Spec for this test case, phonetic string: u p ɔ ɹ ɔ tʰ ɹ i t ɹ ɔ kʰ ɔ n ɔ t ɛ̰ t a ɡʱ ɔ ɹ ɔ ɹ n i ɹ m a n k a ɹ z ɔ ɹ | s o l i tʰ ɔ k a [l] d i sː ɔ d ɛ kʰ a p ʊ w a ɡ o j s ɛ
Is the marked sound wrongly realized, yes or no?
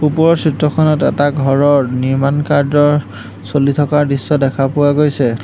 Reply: yes